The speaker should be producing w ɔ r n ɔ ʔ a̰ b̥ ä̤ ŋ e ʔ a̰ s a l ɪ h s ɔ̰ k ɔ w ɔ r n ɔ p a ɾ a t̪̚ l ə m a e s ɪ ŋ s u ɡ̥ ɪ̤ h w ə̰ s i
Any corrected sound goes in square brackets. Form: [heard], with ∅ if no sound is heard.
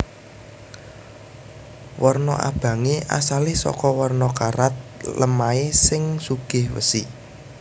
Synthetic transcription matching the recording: w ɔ r n ɔ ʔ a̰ b̥ ä̤ ŋ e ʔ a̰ s a l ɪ h s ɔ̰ k ɔ w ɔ r n ɔ [k] a ɾ a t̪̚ l ə m a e s ɪ ŋ s u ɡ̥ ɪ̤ h w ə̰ s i